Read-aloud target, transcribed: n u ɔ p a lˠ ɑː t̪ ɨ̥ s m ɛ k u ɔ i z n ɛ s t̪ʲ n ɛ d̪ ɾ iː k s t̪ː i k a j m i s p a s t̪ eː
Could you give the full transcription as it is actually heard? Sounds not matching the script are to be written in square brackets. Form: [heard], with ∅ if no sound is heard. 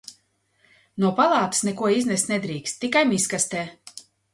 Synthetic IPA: n u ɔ p a lˠ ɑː t̪ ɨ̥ s [n] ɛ k u ɔ i z n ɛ s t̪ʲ n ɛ d̪ ɾ iː k s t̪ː i k a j m i s [k] a s t̪ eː